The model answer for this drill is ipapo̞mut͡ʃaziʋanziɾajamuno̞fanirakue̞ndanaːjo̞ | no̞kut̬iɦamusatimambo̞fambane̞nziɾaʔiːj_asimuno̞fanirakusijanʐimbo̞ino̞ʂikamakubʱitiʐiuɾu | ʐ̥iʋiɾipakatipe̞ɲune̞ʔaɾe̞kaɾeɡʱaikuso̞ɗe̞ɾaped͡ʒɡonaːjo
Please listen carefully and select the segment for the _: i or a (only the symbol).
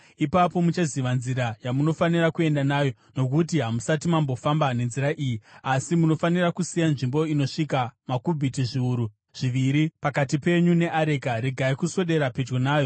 i